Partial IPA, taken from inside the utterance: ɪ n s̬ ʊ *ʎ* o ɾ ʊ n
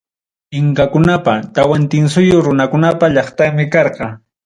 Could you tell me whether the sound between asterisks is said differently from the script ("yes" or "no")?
yes